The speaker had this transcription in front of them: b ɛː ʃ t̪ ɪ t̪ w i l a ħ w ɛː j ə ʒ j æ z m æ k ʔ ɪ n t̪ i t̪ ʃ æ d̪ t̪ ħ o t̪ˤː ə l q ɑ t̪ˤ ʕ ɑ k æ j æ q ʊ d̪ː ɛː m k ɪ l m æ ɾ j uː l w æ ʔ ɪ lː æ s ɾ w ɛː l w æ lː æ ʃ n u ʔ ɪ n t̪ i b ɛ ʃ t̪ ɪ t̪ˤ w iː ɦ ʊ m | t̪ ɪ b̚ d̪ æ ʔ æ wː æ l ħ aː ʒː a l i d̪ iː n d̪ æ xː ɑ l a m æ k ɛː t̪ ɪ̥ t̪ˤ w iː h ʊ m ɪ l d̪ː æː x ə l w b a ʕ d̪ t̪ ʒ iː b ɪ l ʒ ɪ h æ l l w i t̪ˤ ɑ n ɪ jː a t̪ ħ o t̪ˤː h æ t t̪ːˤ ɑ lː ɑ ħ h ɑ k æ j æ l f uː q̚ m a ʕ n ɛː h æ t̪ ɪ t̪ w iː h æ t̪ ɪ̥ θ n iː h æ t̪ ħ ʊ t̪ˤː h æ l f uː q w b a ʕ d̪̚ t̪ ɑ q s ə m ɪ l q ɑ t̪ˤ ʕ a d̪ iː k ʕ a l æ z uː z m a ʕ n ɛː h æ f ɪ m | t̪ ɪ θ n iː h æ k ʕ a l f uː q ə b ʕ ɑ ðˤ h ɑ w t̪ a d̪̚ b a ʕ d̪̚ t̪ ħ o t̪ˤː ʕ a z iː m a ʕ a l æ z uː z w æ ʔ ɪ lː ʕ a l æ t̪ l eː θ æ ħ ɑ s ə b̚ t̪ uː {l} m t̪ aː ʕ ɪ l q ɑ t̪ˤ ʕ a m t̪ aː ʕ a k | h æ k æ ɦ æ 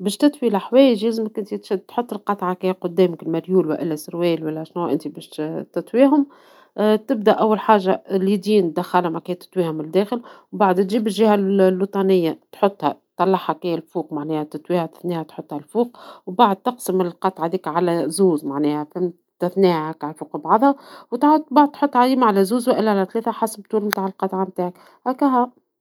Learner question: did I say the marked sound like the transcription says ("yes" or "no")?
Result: yes